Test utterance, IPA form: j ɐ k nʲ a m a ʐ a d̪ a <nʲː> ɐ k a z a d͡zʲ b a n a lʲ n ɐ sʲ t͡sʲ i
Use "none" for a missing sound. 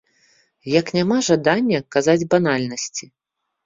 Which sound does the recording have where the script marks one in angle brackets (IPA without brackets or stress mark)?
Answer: nʲː